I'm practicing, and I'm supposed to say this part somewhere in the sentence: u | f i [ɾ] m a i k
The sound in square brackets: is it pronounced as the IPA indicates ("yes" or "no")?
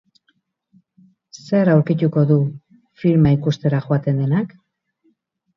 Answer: yes